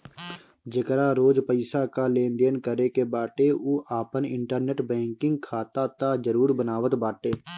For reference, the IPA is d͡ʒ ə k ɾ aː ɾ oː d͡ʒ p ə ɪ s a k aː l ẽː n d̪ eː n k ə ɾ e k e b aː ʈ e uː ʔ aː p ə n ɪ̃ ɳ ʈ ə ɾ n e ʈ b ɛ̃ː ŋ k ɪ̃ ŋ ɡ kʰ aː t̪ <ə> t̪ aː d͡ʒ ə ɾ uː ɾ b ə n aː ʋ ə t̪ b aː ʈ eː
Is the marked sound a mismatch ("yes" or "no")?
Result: yes